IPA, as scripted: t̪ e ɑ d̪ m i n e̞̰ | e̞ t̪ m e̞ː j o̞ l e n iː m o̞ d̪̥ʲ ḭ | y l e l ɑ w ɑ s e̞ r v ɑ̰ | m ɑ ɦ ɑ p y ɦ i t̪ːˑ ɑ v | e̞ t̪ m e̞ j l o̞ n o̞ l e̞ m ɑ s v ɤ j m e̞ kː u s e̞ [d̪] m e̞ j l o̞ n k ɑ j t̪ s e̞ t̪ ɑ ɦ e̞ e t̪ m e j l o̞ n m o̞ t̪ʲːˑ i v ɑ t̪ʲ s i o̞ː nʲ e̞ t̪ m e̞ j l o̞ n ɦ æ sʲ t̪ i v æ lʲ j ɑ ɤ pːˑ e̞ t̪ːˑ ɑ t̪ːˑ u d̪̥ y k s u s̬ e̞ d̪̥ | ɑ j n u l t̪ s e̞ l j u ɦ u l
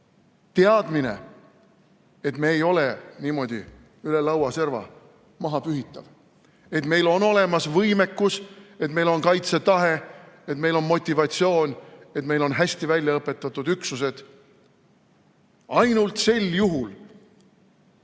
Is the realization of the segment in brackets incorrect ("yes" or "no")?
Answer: yes